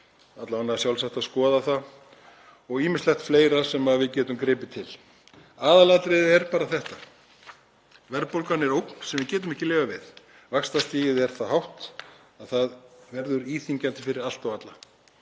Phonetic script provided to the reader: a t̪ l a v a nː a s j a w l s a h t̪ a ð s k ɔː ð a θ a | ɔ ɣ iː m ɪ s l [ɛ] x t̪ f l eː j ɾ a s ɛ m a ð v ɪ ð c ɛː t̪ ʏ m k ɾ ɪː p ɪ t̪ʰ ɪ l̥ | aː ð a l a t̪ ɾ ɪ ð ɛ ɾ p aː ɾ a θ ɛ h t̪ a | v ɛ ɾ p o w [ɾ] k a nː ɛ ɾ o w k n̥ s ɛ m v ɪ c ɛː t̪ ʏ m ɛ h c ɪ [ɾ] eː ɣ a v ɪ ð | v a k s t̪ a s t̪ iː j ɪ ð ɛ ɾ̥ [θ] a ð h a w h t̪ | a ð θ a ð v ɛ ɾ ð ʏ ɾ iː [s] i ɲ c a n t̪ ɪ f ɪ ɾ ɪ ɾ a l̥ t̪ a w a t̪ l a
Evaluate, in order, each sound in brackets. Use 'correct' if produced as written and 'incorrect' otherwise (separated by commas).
correct, incorrect, incorrect, correct, incorrect